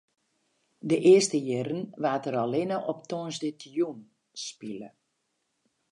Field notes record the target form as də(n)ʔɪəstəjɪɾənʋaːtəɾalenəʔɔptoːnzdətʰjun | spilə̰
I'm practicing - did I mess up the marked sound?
yes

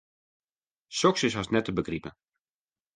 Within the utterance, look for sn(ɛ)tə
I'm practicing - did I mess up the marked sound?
no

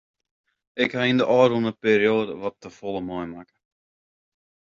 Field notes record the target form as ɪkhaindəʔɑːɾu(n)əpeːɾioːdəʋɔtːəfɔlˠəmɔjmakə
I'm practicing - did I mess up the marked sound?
no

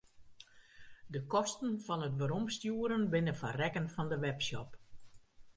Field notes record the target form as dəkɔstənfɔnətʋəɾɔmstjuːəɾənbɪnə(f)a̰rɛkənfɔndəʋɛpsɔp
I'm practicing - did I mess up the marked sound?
no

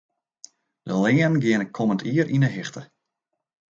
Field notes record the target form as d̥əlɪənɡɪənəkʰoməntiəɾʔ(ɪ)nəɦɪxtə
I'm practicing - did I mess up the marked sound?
yes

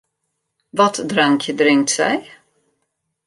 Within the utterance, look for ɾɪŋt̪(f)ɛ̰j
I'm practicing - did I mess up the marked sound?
yes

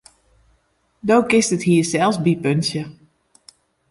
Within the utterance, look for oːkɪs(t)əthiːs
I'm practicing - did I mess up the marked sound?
no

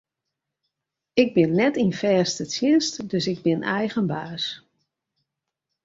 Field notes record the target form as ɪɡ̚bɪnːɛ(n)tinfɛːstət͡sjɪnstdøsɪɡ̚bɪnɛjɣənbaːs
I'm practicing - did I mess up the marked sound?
yes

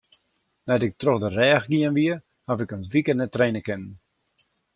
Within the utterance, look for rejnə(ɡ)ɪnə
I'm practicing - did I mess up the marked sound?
yes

